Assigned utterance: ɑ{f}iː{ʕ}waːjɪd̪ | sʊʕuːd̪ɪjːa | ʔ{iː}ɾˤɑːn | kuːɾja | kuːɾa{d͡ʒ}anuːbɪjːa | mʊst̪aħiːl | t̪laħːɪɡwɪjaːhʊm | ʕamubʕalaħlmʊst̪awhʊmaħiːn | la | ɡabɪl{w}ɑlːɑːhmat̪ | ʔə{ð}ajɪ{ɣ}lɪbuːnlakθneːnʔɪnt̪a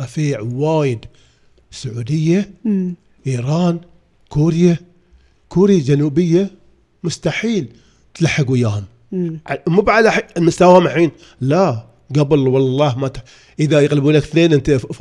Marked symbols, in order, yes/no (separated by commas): yes, yes, yes, yes, yes, yes, yes